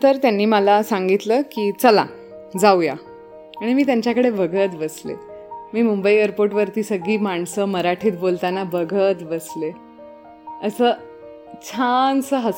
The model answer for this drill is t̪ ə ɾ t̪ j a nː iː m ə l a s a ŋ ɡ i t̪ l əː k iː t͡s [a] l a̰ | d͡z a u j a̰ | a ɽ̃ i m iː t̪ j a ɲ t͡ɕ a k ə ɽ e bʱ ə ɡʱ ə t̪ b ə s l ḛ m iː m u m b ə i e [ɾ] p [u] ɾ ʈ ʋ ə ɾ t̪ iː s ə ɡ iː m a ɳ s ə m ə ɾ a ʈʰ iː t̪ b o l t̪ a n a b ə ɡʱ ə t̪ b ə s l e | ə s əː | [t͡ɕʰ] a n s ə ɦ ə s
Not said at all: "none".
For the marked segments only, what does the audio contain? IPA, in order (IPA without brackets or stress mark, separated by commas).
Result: ə, ɾ, o, t͡ɕʰ